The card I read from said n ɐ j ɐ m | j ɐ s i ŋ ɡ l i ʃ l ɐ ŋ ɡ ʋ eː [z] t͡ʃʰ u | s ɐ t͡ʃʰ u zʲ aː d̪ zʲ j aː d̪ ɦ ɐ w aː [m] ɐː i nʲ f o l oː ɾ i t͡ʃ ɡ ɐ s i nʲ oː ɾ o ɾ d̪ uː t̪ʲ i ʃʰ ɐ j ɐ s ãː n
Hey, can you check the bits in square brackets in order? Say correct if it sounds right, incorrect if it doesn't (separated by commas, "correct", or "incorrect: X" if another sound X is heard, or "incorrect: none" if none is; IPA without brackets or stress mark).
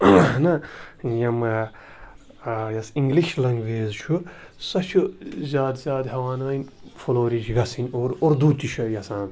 correct, incorrect: n